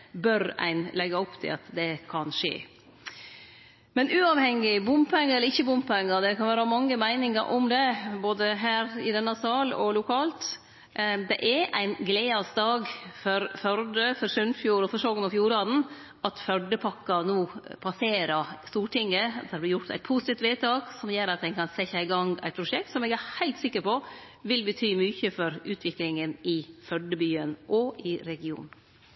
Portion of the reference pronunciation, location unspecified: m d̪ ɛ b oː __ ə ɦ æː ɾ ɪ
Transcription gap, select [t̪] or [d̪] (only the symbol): d̪